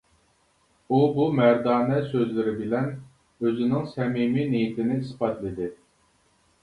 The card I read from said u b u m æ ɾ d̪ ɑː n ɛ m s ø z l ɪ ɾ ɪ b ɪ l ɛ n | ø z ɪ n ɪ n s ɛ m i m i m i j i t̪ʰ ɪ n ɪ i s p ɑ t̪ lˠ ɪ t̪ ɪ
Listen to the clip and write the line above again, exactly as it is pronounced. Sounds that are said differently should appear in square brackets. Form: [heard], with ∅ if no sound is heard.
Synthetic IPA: u b u m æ ɾ d̪ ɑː n ɛ [∅] s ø z l ɪ ɾ ɪ b ɪ l ɛ n | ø z ɪ n ɪ [ŋ] s ɛ m i m i [n] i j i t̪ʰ ɪ n ɪ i s p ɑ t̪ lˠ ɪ [d̪] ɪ